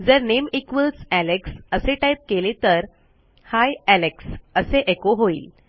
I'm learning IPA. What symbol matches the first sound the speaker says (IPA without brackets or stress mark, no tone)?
d͡z